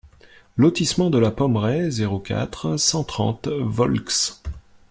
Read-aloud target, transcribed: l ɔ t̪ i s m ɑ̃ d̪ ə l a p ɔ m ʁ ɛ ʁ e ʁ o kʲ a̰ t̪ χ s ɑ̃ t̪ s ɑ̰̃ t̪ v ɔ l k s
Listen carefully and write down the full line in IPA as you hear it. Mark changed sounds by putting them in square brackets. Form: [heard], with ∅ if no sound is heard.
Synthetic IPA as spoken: l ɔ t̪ i s m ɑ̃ d̪ ə l a p ɔ m ʁ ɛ [z] e ʁ o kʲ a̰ t̪ χ s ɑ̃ t̪ [χ] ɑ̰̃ t̪ v ɔ l k s